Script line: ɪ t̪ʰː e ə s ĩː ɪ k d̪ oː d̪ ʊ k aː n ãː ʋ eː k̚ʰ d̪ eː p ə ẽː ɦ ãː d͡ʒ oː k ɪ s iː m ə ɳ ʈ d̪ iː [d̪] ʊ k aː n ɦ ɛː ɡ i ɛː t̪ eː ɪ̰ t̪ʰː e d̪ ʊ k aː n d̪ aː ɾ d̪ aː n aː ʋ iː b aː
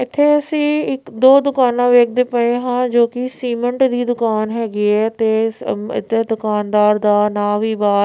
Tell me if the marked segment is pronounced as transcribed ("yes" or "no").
yes